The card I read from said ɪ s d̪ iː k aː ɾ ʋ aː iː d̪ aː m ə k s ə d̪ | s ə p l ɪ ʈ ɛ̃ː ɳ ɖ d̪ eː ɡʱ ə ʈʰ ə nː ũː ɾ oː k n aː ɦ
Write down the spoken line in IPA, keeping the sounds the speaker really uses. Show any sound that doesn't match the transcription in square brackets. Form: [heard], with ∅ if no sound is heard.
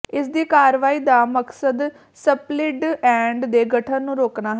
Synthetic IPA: ɪ s d̪ iː k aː ɾ ʋ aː iː d̪ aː m ə k s ə d̪ | s ə p l ɪ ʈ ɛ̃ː ɳ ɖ d̪ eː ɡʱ ə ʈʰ ə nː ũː ɾ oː k n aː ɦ